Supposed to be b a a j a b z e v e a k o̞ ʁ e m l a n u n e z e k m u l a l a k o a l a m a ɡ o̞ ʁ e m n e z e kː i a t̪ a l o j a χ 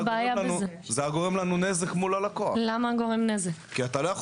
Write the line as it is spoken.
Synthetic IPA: b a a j a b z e z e a ɡ o̞ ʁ e m l a n u n e z e k m u l a l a k o a l a m a ɡ o̞ ʁ e m n e z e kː i a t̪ a l o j a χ